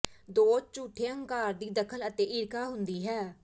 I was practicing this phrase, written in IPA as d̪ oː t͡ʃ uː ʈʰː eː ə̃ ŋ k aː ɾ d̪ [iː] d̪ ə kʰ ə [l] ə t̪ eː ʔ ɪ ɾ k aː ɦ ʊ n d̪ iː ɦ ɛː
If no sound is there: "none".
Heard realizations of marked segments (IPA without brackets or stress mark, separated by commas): iː, l